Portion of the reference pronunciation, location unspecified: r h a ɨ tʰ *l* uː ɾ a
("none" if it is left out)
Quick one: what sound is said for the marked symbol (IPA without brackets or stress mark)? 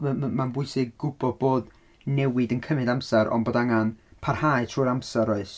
r